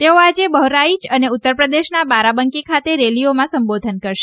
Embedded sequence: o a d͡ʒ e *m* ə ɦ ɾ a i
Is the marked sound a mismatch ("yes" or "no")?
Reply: yes